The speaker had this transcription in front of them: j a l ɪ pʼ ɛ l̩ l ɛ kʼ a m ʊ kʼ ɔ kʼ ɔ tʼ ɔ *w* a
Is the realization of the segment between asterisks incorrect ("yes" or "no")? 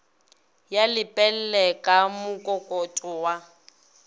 no